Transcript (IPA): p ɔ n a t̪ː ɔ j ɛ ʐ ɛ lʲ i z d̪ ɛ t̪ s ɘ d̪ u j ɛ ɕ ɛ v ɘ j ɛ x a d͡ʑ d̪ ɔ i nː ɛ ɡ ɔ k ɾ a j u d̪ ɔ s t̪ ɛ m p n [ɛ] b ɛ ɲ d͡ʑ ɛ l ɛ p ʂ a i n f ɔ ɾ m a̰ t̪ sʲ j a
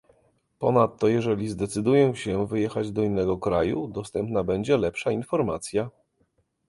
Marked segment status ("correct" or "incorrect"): incorrect